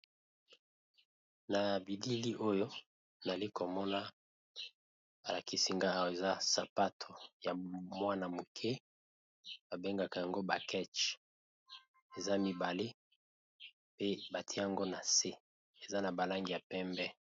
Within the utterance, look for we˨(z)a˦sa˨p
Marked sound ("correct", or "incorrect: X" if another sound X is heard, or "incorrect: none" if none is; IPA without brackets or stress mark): correct